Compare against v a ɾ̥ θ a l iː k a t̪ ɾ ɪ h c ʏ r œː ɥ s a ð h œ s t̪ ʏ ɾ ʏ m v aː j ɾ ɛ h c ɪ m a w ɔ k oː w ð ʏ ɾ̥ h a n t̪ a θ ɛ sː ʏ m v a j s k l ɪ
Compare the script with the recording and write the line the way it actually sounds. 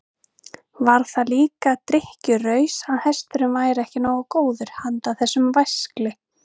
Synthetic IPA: v a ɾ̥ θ a l iː k a t̪ ɾ ɪ h c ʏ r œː ɥ s a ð h ɛ s t̪ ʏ ɾ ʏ m v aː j ɾ ɛ h c ɪ n a w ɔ k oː w ð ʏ ɾ̥ h a n t̪ a θ ɛ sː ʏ m v a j s k l ɪ